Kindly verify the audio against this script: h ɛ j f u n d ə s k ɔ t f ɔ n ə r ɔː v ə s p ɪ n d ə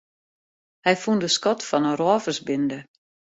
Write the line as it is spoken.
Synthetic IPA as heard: h ɛ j f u n d ə s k ɔ t f ɔ n ə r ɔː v ə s b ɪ n d ə